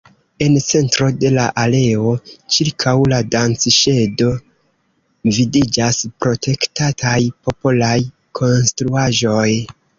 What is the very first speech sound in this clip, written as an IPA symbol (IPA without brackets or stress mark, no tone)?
e̞